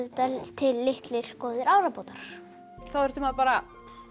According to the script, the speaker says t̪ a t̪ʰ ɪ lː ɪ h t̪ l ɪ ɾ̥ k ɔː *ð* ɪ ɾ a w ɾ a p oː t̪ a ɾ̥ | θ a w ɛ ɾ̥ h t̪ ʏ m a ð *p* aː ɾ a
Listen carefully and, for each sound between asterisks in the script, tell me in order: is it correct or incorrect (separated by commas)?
correct, correct